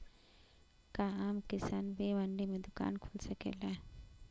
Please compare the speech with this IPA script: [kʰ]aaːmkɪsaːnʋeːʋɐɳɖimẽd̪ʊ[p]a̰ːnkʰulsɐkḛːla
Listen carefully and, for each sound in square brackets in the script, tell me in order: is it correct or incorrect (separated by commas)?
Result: incorrect, incorrect